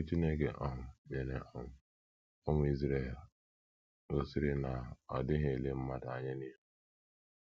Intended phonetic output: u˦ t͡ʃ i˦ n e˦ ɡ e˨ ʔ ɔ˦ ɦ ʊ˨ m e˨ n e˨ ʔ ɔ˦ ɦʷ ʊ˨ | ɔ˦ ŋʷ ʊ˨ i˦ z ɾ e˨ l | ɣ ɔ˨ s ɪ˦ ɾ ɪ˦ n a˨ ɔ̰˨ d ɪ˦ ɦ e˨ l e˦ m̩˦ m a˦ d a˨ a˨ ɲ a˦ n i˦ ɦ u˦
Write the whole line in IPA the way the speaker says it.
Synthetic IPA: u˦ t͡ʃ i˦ n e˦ ɡ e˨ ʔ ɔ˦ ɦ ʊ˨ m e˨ n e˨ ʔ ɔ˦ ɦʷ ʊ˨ | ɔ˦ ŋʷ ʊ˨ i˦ z ɾ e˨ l | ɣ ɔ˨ s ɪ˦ ɾ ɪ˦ n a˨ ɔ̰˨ d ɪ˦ ɦ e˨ l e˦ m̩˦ m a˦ d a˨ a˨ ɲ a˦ n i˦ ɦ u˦

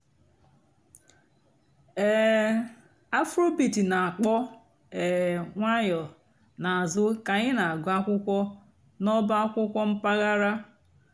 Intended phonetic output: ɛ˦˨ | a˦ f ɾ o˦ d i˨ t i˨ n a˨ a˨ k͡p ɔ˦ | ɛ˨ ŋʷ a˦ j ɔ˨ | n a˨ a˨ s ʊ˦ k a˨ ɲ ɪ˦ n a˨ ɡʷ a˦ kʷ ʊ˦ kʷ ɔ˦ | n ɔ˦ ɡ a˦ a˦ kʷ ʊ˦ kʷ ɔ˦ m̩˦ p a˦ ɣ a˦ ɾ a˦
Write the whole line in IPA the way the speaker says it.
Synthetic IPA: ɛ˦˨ | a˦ f ɾ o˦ b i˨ t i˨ n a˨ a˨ k͡p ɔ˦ | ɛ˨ ŋʷ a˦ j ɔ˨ | n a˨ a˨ z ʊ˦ k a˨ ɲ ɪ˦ n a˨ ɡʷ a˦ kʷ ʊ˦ kʷ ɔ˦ | n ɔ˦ b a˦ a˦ kʷ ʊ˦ kʷ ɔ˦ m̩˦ p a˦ ɣ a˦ ɾ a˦

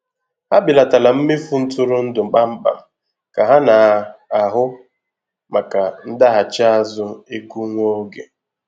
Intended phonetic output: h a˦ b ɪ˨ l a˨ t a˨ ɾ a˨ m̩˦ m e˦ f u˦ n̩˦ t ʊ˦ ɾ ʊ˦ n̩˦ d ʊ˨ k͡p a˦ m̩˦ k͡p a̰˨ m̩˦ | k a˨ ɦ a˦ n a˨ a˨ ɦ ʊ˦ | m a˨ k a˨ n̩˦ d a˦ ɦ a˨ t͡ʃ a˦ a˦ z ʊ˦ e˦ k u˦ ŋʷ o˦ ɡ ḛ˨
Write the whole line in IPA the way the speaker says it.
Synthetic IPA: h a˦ b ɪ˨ l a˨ t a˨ l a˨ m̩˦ m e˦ f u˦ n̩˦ t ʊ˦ ɾ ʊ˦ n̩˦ d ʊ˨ k͡p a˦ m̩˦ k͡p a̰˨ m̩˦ | k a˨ ɦ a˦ n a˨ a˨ ɦ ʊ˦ | m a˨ k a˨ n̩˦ d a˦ ɦ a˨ t͡ʃ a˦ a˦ z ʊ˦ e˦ k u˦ ŋʷ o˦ ɡ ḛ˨

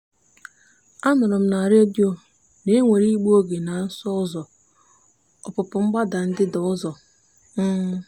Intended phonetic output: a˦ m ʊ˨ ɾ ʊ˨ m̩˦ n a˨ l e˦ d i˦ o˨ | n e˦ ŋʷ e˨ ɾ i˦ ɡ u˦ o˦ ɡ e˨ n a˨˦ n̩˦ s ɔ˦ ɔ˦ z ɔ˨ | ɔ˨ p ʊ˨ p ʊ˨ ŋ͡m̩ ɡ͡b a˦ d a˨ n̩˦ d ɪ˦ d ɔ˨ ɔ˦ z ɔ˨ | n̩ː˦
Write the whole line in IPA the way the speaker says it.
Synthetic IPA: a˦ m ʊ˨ ɾ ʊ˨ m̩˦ n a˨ ɾ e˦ d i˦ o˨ | n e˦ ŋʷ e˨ ɾ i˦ ɡ͡b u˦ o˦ ɡ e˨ n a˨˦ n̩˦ s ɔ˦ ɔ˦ z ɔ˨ | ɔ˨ p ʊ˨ p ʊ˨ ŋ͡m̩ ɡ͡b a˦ d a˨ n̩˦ d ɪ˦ d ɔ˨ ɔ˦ z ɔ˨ | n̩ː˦

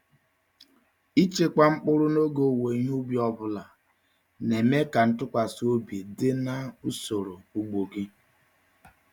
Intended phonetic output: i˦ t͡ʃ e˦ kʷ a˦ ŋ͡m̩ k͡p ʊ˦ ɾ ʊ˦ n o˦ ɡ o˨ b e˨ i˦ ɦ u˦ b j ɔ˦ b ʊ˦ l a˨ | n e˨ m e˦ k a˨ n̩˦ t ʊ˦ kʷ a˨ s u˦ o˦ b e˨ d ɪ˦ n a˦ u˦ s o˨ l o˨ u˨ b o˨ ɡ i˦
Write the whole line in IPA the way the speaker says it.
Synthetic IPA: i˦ t͡ʃ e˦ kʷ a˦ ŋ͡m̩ k͡p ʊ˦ ɾ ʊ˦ n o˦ ɡ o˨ w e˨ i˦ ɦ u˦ b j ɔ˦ b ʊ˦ l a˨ | n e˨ m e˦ k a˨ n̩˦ t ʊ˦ kʷ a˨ s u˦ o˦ b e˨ d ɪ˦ n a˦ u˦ s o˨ ɾ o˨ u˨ ɡ͡b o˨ ɡ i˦

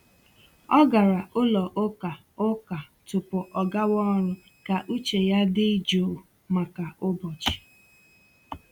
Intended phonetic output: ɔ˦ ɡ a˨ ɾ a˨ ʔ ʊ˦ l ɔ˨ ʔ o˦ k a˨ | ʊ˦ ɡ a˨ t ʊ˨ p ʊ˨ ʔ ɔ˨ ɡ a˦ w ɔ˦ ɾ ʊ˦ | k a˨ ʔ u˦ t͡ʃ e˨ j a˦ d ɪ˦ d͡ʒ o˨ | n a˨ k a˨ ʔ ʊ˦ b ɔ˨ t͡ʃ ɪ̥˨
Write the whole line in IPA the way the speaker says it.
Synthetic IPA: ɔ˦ ɡ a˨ ɾ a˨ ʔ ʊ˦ l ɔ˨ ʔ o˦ k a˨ | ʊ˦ k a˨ t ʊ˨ p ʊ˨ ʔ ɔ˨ ɡ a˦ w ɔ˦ ɾ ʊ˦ | k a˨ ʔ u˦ t͡ʃ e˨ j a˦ d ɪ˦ d͡ʒ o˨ | m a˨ k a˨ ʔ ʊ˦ b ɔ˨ t͡ʃ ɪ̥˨

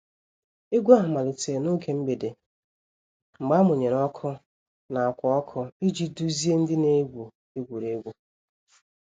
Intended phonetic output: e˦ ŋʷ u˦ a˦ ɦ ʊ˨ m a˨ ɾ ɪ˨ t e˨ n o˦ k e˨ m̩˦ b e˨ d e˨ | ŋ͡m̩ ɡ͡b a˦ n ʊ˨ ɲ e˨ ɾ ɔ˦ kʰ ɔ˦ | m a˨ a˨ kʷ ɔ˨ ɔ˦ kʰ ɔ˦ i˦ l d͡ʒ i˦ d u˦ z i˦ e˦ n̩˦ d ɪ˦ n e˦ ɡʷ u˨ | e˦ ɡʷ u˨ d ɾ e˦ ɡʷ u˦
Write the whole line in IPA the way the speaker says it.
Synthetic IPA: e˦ ɡʷ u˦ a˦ ɦ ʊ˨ m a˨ l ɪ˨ t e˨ n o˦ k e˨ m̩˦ b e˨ d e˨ | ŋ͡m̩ ɡ͡b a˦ m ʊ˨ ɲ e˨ ɾ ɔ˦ kʰ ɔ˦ | n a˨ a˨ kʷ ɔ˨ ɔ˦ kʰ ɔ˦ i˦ d͡ʒ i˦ d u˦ z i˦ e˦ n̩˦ d ɪ˦ n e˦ ɡʷ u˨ | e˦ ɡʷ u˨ ɾ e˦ ɡʷ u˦

